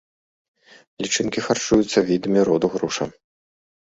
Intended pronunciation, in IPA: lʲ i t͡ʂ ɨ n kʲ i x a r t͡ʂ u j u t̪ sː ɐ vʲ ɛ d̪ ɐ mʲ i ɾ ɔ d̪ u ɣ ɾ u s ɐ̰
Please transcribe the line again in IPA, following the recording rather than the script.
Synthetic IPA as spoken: lʲ i t͡ʂ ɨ n kʲ i x a r t͡ʂ u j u t̪ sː ɐ vʲ i d̪ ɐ mʲ i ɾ ɔ d̪ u ɣ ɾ u ʂ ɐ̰